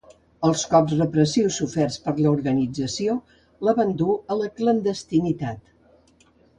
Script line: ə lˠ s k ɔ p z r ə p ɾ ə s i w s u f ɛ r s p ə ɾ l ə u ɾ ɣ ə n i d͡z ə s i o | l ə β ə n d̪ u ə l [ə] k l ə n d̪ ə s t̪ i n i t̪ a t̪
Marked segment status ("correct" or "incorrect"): correct